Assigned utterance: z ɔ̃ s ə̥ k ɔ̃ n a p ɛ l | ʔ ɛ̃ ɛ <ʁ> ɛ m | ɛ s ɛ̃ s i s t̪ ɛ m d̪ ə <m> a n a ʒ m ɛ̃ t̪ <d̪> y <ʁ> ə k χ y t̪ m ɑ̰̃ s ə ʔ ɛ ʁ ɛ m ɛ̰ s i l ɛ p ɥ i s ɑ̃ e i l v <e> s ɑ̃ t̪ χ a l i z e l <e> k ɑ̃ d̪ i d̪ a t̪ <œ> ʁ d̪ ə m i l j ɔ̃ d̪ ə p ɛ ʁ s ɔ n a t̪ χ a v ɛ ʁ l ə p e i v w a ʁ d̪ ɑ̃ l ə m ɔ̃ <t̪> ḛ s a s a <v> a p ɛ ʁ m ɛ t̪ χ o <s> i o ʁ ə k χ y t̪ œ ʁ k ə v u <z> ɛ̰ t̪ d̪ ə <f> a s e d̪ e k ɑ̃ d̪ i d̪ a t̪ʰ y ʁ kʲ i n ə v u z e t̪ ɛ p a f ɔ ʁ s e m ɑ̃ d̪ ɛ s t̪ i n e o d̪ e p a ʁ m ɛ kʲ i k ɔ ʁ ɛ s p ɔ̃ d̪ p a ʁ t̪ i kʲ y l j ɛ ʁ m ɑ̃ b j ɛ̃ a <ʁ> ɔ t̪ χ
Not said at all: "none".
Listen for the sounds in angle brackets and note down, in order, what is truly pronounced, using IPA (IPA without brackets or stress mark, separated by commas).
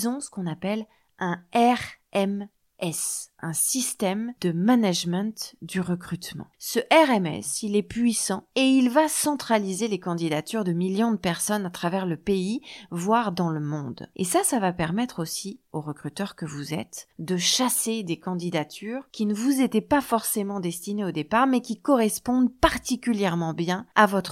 ʁ, m, d̪, ʁ, a, e, y, d̪, v, s, z, ʃ, v